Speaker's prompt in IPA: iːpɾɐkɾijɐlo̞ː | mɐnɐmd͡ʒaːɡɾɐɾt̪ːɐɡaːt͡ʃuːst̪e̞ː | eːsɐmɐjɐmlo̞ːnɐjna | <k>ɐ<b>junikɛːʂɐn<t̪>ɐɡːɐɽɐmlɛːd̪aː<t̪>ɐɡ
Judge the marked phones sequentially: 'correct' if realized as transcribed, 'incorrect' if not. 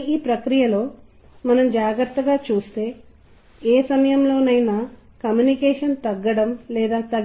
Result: correct, incorrect, correct, correct

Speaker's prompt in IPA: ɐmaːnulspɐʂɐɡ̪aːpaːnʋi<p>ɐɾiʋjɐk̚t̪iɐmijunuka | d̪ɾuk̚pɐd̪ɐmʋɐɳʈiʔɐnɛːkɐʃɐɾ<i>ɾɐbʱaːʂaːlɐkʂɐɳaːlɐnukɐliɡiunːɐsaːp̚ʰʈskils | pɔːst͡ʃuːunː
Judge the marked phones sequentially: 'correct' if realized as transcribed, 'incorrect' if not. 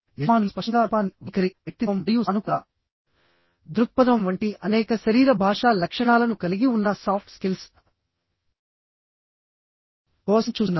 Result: incorrect, incorrect

